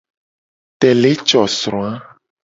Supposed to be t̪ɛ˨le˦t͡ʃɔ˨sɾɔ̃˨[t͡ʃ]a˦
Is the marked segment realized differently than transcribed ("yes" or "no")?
yes